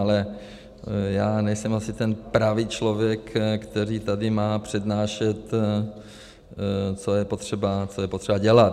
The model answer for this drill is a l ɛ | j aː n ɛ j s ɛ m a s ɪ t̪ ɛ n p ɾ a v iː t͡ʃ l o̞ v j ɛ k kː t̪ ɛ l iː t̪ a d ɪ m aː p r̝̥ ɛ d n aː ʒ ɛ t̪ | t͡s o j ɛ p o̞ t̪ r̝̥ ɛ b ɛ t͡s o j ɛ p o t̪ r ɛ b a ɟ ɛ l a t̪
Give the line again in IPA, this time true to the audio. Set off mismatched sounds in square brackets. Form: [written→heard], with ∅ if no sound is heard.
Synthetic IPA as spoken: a l ɛ | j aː n ɛ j s ɛ m a s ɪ t̪ ɛ n p ɾ a v iː t͡ʃ l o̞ v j ɛ k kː t̪ ɛ [l→ɾ] iː t̪ a d ɪ m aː p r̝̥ ɛ d n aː [ʒ→ʃ] ɛ t̪ | t͡s o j ɛ p o̞ t̪ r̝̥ ɛ b [ɛ→a] t͡s o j ɛ p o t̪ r ɛ b a ɟ ɛ l a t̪